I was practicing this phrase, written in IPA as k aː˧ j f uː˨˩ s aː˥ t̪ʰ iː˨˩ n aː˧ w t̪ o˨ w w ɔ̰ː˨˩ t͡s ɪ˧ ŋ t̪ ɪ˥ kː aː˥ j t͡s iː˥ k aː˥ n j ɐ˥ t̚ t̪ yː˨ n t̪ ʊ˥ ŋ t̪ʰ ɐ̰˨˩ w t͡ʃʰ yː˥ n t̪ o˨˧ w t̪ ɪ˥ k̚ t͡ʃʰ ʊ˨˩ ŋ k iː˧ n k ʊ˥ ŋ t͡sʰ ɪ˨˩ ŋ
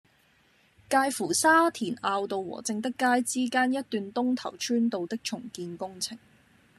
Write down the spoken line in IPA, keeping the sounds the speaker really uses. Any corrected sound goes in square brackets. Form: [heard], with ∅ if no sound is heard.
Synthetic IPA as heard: k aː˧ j f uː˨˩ s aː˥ t̪ʰ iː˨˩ n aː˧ w t̪ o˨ w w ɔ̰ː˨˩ t͡s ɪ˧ ŋ t̪ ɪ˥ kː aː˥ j t͡s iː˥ k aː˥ n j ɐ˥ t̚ t̪ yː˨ n t̪ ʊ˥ ŋ t̪ʰ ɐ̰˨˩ w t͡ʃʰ yː˥ n t̪ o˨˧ w t̪ ɪ˥ k̚ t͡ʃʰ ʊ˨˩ ŋ k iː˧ n k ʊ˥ ŋ t͡sʰ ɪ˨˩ ŋ